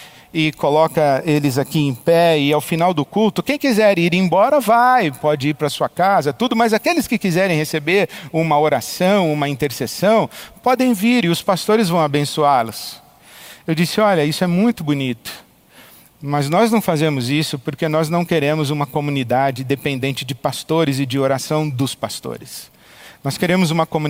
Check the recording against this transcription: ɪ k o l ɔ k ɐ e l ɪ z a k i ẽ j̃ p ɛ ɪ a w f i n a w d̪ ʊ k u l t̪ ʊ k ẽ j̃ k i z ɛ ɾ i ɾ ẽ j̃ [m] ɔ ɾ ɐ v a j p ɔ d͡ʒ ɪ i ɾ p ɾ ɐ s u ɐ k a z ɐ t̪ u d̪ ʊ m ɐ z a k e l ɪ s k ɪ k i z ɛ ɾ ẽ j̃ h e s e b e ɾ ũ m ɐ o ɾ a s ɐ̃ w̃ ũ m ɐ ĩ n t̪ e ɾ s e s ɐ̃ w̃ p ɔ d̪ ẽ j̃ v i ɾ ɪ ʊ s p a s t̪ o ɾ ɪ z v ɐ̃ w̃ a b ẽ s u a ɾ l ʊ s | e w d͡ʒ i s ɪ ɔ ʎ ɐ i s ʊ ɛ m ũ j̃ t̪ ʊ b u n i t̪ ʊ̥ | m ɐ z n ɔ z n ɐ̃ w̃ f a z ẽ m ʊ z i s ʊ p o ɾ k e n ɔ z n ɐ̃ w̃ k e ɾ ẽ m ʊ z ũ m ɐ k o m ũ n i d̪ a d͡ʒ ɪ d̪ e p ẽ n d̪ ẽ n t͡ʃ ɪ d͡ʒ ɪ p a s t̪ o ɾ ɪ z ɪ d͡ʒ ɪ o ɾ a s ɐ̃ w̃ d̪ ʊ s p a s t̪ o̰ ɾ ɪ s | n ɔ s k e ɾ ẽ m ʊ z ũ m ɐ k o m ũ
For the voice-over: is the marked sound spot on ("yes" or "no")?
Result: no